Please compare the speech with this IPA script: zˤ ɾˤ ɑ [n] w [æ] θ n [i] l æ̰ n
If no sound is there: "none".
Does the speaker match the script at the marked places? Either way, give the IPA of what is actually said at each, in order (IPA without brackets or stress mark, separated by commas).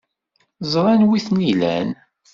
n, i, i